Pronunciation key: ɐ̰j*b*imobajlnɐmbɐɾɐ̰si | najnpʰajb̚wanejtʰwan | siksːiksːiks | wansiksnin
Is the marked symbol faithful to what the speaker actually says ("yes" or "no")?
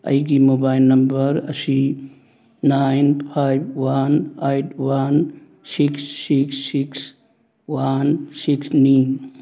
no